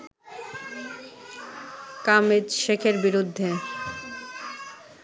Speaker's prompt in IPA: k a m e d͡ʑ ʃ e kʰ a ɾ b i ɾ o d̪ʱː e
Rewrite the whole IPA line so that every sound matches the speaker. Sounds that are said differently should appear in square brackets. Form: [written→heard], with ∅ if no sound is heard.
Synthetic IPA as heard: k a m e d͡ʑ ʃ e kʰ [a→e] ɾ b i ɾ [o→u] d̪ʱː e